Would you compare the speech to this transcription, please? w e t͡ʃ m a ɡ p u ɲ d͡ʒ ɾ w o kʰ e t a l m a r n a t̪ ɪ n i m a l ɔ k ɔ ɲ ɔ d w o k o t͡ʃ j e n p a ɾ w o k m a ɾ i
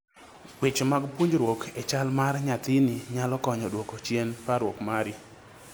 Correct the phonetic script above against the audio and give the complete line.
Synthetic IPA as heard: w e t͡ʃ m a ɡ p u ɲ d͡ʒ ɾ w o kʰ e t͡ʃ a l m a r ɲ a t̪ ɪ n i ɲ a l ɔ k ɔ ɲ ɔ d w o k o t͡ʃ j e n p a ɾ w o k m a ɾ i